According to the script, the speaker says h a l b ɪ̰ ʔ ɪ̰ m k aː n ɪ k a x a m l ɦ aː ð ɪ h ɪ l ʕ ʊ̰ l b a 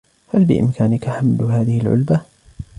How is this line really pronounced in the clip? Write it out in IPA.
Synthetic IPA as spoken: h a l b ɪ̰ ʔ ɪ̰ m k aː n ɪ k a ħ a m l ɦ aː ð ɪ h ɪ l ʕ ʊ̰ l b a